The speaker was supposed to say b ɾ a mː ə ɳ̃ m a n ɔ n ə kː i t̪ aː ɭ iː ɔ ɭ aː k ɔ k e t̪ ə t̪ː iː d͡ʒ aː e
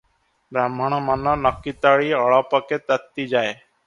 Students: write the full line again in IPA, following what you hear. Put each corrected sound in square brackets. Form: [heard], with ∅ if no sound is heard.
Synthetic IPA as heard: b ɾ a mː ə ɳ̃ m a n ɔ n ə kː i t̪ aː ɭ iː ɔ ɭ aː [p] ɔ k e t̪ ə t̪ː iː d͡ʒ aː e

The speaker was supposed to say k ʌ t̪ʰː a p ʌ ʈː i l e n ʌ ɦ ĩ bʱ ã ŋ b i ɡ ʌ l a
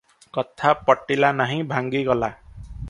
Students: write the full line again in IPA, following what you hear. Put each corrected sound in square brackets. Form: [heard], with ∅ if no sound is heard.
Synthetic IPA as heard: k ʌ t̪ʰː a p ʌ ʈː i l [a] n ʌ ɦ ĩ bʱ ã ŋ [ɡ] i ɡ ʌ l a

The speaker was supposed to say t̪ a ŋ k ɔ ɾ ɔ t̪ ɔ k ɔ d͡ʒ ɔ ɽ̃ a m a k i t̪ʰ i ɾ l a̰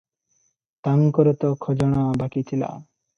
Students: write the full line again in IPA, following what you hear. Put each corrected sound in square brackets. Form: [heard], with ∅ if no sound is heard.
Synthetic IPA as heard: t̪ a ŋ k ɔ ɾ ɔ t̪ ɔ [kʰ] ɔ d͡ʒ ɔ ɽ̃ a [b] a k i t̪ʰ i [∅] l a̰

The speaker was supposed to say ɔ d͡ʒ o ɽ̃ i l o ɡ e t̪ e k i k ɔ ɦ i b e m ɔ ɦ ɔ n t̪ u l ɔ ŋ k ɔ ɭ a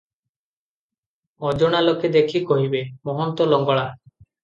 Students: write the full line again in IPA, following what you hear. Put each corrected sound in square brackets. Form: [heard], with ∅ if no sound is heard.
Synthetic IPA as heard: ɔ d͡ʒ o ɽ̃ [a] l o [k] e [d̪] e [kʰ] i k ɔ ɦ i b e m ɔ ɦ ɔ n t̪ [ɔ] l ɔ ŋ [ɡ] ɔ ɭ a

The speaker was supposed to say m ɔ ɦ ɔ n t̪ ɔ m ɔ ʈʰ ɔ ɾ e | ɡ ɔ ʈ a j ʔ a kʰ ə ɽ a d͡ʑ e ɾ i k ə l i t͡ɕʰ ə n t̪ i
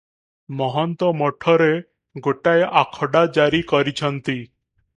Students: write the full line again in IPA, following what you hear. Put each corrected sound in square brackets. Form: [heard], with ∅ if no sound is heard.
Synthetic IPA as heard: m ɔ ɦ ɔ n t̪ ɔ m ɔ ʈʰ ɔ ɾ e | ɡ [o] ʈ a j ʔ a kʰ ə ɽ a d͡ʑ [a] ɾ i k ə [ɾ] i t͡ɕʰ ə n t̪ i

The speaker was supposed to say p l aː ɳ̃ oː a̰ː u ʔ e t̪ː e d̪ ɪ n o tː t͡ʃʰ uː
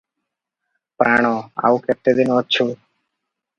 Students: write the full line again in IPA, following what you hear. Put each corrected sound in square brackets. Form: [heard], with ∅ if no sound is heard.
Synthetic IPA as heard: p [ɾ] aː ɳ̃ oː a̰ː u [k] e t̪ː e d̪ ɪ n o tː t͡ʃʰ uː

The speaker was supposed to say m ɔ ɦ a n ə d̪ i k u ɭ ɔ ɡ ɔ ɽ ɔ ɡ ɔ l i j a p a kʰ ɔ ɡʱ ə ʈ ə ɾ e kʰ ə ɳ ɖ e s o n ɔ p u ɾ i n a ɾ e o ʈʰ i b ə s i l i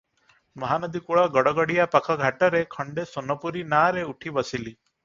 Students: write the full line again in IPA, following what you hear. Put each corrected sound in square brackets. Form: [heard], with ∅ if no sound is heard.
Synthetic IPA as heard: m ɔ ɦ a n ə d̪ i k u ɭ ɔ ɡ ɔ ɽ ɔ ɡ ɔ [ɽ] i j a p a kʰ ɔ ɡʱ [a] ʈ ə ɾ e kʰ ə ɳ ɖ e s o n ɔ p u ɾ i n a ɾ e [u] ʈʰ i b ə s i l i

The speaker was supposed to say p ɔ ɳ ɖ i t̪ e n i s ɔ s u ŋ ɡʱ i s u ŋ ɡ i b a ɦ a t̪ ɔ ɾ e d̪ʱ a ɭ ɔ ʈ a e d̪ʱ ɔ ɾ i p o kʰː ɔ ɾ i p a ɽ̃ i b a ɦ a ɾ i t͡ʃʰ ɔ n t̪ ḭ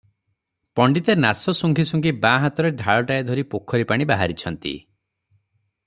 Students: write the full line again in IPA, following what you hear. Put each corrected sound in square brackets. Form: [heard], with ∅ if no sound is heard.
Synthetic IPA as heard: p ɔ ɳ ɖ i t̪ e n [a] s ɔ s u ŋ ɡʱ i s u ŋ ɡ i b a ɦ a t̪ ɔ ɾ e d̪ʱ a ɭ ɔ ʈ a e d̪ʱ ɔ ɾ i p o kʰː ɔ ɾ i p a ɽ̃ i b a ɦ a ɾ i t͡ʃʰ ɔ n t̪ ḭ

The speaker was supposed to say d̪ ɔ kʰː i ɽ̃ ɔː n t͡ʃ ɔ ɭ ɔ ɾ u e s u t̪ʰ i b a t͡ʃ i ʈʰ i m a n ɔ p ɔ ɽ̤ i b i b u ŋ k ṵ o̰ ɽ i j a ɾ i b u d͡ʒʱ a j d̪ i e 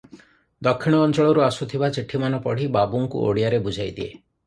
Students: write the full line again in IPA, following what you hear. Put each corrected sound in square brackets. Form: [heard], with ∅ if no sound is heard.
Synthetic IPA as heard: d̪ ɔ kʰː i ɽ̃ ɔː n t͡ʃ ɔ ɭ ɔ ɾ u [a] s u t̪ʰ i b a t͡ʃ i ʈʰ i m a n ɔ p ɔ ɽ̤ i b [a] b u ŋ k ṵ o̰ ɽ i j a ɾ [e] b u d͡ʒʱ a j d̪ i e

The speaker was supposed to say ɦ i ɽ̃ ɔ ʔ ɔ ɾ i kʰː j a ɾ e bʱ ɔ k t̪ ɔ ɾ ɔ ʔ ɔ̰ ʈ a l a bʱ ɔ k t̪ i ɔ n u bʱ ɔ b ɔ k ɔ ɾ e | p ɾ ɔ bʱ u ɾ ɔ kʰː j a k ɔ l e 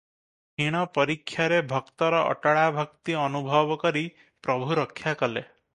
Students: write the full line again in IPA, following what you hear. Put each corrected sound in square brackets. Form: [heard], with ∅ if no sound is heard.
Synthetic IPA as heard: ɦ i ɽ̃ ɔ [p] ɔ ɾ i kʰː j a ɾ e bʱ ɔ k t̪ ɔ ɾ ɔ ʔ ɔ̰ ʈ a [ɭ] a bʱ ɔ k t̪ i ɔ n u bʱ ɔ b ɔ k ɔ ɾ [i] | p ɾ ɔ bʱ u ɾ ɔ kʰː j a k ɔ l e

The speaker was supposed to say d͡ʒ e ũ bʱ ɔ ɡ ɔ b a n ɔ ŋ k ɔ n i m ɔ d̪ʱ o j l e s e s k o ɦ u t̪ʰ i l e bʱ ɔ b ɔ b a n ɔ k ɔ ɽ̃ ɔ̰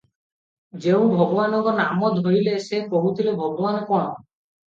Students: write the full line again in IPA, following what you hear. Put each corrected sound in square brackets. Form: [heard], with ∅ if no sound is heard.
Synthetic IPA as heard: d͡ʒ e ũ bʱ ɔ ɡ ɔ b a n ɔ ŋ k ɔ n [a] m ɔ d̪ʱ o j l e s e [∅] k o ɦ u t̪ʰ i l e bʱ ɔ [ɡ] ɔ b a n ɔ k ɔ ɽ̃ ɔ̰

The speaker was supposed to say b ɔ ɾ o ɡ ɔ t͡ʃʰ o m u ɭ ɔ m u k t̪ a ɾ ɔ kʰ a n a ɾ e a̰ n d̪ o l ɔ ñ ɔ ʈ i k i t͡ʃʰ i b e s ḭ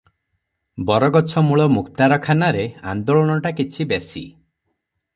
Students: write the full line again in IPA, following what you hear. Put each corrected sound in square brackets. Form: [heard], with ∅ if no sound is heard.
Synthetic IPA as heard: b ɔ ɾ [ɔ] ɡ ɔ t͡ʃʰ [ɔ] m u ɭ ɔ m u k t̪ a ɾ ɔ kʰ a n a ɾ e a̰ n d̪ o [ɭ] ɔ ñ ɔ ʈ [a] k i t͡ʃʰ i b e s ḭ

